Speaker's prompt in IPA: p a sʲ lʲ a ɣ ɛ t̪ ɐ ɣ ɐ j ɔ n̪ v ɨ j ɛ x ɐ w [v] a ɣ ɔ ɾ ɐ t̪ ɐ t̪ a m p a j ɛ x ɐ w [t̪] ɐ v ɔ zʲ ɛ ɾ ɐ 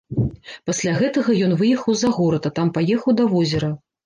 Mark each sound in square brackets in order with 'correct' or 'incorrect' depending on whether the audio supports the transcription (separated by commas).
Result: incorrect, incorrect